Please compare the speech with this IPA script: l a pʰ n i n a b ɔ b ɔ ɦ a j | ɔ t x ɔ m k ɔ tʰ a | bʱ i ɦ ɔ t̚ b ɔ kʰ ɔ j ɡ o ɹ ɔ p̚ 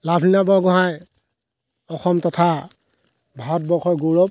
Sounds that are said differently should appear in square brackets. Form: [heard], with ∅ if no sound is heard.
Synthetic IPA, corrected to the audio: l a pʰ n i n a b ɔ [ɡ] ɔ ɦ a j | ɔ [∅] x ɔ m [t] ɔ tʰ a | bʱ [a] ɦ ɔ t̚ b ɔ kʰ ɔ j ɡ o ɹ ɔ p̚

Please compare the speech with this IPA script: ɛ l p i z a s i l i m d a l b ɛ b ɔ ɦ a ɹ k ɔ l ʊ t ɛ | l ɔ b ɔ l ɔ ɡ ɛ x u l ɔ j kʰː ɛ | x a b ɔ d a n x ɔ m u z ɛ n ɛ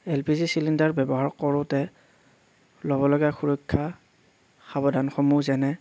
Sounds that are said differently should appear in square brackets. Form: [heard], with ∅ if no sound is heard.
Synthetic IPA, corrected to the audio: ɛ l p i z [i] s i l i [n] d a [ɹ] b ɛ b ɔ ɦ a ɹ k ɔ [ɹ] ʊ t ɛ | l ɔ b ɔ l ɔ ɡ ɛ x u [ɹ] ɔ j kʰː [a] | x a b ɔ d a n x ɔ m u z ɛ n ɛ

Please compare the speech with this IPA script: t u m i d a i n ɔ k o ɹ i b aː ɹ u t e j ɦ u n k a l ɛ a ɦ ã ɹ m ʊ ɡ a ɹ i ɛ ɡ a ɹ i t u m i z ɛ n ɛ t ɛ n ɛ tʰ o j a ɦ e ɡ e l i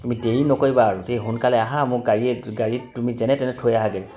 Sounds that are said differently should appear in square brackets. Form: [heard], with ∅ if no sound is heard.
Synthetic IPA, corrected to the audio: t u m i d [e] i n ɔ k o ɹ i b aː ɹ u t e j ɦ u n k a l ɛ a ɦ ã [∅] m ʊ ɡ a ɹ i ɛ ɡ a ɹ i t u m i z ɛ n ɛ t ɛ n ɛ tʰ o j a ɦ [a] ɡ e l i

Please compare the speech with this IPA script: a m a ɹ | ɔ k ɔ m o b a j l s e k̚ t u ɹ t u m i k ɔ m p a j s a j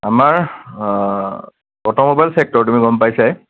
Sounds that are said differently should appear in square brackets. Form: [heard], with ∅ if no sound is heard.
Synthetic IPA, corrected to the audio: a m a ɹ | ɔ [t] ɔ m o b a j l s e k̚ t [ɔ] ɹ t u m i [ɡ] ɔ m p a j s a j

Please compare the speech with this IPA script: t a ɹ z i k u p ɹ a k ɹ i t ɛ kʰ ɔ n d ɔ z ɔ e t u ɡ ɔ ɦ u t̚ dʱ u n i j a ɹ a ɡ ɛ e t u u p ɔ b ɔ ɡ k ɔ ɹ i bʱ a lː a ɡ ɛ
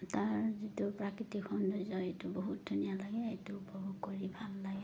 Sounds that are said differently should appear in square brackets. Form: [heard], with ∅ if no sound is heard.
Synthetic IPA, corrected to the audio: t a ɹ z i [t] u p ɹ a k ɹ i t [i] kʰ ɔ n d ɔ z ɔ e t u [b] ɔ ɦ u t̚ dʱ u n i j a [l] a ɡ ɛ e t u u p ɔ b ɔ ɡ k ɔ ɹ i bʱ a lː a ɡ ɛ

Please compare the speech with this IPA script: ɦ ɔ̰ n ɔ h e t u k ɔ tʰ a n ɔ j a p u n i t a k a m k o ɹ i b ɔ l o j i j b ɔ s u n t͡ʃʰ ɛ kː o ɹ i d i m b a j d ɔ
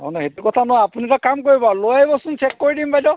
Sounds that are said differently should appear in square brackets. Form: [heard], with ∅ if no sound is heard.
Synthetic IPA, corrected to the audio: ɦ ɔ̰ n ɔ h e t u k ɔ tʰ a n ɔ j a p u n i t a k a m k o ɹ i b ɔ l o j [a] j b ɔ s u n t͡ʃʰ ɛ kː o ɹ i d i m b a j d ɔ

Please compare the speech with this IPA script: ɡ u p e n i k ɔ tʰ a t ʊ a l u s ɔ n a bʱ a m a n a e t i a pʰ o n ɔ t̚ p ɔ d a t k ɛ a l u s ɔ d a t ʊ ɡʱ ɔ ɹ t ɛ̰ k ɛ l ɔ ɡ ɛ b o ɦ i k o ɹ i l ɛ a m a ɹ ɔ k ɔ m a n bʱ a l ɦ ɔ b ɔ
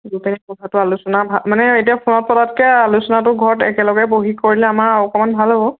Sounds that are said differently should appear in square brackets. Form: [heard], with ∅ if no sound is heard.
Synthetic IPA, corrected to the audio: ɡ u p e n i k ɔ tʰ a t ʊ a l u s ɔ n a bʱ a m a n [ɛ] e t i a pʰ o n ɔ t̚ p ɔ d a t k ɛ a l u s ɔ [n] a t ʊ ɡʱ ɔ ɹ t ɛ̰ k ɛ l ɔ ɡ ɛ b o ɦ i k o ɹ i l ɛ a m a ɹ ɔ k ɔ m a n bʱ a l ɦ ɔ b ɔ

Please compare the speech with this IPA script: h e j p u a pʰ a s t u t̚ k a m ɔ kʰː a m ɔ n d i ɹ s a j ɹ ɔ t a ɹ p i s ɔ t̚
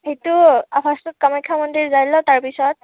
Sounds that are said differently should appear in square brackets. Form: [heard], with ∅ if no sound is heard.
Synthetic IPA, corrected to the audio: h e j [t] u a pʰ a s t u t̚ k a m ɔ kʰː a m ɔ n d i ɹ [z] a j [l] ɔ t a ɹ p i s ɔ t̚

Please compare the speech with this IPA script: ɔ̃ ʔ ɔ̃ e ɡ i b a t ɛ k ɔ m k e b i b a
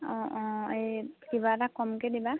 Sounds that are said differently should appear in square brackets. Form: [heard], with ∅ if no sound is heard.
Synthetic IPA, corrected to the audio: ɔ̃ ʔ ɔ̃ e [k] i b a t [a] k ɔ m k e [d] i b a

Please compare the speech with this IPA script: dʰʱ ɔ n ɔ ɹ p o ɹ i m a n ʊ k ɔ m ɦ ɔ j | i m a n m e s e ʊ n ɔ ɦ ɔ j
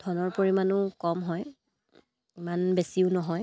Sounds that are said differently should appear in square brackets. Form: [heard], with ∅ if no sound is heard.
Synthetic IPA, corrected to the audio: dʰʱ ɔ n ɔ ɹ p o ɹ i m a n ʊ k ɔ m ɦ ɔ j | i m a n [b] e s [i] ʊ n ɔ ɦ ɔ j

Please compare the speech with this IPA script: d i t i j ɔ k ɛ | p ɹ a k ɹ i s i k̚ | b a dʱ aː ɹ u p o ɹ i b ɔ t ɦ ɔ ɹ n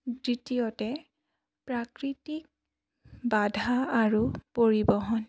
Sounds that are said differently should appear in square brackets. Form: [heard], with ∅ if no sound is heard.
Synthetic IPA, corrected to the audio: d i t i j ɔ [t] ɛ | p ɹ a k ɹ i [t] i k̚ | b a dʱ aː ɹ u p o ɹ i b ɔ [∅] ɦ ɔ [∅] n

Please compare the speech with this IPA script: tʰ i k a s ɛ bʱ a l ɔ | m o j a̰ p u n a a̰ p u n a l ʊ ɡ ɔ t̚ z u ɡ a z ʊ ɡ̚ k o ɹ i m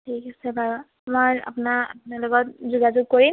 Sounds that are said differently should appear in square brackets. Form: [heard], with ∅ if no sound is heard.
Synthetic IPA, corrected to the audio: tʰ i k a s ɛ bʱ a [ɹ] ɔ | m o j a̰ p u n a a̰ p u n a l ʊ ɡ ɔ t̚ z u ɡ a z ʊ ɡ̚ k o ɹ i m

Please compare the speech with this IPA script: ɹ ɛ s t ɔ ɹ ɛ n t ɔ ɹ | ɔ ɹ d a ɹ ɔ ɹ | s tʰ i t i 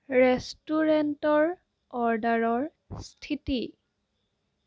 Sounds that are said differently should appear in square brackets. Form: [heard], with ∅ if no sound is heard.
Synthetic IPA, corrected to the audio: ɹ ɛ s t [u] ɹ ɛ n t ɔ ɹ | ɔ ɹ d a ɹ ɔ ɹ | s tʰ i t i

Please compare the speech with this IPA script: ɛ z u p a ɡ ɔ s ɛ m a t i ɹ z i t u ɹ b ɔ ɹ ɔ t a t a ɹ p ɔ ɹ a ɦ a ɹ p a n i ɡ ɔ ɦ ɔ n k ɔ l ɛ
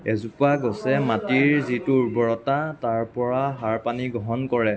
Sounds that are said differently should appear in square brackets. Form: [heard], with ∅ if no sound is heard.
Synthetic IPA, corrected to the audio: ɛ z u p a ɡ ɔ s ɛ m a t i ɹ z i t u ɹ b ɔ ɹ ɔ t a t a ɹ p ɔ ɹ a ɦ a ɹ p a n i ɡ ɔ ɦ ɔ n k ɔ [ɹ] ɛ

